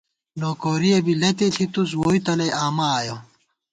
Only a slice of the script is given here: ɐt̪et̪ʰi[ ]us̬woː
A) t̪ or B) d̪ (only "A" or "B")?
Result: A